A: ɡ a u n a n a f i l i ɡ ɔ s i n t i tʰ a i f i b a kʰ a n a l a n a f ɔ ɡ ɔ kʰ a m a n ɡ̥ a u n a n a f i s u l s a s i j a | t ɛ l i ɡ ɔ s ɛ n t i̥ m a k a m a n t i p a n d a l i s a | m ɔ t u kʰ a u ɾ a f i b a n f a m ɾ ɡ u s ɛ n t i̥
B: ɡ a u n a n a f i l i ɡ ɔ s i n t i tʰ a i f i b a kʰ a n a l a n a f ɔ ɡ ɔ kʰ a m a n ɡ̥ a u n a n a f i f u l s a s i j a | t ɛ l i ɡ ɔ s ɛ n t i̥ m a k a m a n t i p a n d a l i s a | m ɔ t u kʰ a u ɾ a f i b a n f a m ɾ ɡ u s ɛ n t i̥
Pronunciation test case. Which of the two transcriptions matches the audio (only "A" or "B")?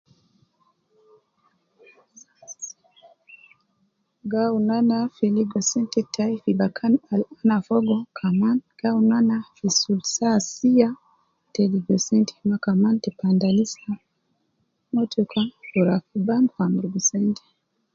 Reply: A